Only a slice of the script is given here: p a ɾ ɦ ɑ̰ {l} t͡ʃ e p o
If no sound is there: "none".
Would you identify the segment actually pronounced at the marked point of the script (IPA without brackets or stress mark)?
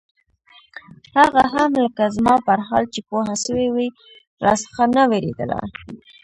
l